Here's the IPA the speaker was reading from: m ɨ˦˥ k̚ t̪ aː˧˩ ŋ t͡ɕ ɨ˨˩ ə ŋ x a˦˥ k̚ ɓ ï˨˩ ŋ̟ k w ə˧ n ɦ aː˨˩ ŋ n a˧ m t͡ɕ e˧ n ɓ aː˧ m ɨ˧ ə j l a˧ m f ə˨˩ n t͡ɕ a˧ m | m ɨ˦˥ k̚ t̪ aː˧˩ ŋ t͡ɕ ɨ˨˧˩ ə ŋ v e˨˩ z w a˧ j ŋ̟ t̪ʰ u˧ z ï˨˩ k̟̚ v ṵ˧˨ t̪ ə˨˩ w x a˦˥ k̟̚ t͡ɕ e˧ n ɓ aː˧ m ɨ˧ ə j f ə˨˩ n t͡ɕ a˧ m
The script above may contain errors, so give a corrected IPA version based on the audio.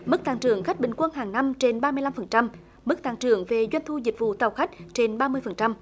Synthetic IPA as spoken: m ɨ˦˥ k̚ t̪ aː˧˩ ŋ t͡ɕ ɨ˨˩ ə ŋ x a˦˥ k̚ ɓ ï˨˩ ŋ̟ k w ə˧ n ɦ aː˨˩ ŋ n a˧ m t͡ɕ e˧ n ɓ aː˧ m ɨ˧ ə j l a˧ m f ə˨˩ n t͡ɕ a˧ m | m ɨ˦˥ k̚ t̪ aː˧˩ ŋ t͡ɕ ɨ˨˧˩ ə ŋ v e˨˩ z w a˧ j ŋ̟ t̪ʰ u˧ z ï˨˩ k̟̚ v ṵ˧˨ t̪ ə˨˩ w x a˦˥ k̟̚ t͡ɕ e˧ n ɓ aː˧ m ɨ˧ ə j f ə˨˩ n t͡ɕ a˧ m